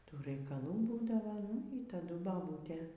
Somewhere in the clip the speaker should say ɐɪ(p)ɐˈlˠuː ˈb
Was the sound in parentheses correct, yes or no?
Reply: no